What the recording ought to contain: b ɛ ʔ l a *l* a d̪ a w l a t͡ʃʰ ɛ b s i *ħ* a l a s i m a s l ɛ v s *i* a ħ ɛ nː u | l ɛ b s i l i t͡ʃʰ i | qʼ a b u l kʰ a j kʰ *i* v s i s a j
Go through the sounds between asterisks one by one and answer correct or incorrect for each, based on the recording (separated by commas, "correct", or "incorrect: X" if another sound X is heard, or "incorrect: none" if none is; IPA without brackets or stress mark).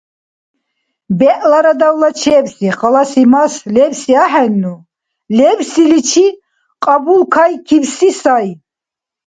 incorrect: ɾ, incorrect: χ, correct, correct